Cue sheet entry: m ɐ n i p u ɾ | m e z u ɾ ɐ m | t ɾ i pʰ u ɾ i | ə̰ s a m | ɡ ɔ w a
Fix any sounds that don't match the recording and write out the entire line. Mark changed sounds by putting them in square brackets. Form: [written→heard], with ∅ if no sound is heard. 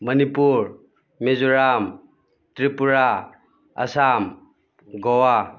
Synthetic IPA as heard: m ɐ n i p u ɾ | m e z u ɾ [ɐ→a] m | t ɾ i [pʰ→p] u ɾ [i→a] | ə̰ s a m | ɡ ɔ w a